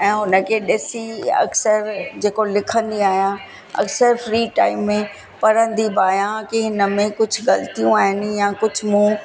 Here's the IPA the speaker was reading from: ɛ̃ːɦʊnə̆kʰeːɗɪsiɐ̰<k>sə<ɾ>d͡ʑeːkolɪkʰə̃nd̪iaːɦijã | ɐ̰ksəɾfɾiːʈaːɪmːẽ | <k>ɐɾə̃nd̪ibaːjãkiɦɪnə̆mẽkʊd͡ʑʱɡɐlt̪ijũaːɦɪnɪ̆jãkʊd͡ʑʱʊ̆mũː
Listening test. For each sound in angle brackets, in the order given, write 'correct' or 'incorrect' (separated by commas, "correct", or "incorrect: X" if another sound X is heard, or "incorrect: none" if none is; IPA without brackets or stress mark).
correct, correct, incorrect: p